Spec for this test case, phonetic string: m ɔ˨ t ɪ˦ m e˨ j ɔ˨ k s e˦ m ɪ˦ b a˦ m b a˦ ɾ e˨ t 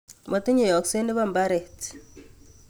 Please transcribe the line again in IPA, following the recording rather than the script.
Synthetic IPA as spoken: m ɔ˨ t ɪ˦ ɲ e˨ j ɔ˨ k s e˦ n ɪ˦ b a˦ m b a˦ ɾ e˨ t